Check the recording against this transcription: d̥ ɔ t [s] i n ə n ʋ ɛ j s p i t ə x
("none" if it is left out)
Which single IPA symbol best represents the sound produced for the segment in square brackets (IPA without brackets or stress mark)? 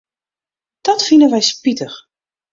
f